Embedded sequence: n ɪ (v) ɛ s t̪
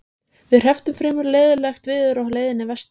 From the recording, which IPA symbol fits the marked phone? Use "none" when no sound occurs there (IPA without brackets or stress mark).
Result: v